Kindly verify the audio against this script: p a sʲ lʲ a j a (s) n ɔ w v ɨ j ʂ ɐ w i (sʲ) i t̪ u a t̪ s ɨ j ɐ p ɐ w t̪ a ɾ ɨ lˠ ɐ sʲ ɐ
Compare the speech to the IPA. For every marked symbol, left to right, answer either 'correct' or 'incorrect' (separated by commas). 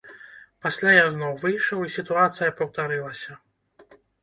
incorrect, correct